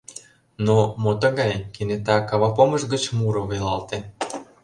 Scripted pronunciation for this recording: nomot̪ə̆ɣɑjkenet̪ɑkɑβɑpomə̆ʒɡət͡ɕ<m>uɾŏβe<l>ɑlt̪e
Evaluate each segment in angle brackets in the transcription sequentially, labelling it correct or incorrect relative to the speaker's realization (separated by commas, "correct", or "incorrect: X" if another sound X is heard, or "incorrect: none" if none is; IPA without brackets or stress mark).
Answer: correct, correct